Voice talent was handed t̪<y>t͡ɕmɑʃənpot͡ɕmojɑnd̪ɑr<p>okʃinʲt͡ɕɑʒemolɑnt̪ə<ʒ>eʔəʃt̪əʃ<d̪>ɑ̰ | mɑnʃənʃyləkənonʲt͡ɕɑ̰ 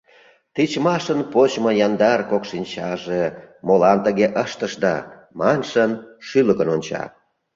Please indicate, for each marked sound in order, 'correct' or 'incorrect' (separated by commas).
incorrect, incorrect, incorrect, correct